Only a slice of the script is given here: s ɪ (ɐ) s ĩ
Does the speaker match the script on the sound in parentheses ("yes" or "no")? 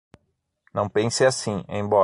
no